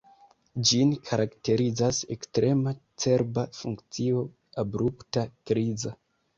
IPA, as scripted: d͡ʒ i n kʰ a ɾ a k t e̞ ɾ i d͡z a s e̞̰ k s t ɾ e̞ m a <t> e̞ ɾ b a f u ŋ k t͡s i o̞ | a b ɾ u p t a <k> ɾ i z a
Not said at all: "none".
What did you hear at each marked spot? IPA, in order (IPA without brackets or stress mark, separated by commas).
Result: t͡s, k